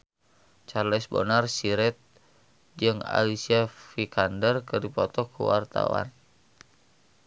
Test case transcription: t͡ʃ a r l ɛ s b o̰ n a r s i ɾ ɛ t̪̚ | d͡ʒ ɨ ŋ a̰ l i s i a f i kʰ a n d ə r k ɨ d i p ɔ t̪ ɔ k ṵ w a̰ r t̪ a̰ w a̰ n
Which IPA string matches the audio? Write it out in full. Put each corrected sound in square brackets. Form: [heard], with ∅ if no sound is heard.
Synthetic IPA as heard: t͡ʃ a r l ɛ s b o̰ n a r s i ɾ ɛ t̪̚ | d͡ʒ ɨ ŋ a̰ l i s i a f i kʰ a n d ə r k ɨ d i p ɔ t̪ ɔ k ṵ w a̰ r t̪ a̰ w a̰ n